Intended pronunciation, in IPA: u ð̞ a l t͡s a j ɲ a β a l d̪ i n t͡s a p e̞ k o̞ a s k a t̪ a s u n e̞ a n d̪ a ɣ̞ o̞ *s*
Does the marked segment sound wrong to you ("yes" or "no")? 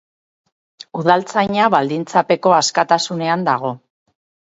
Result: yes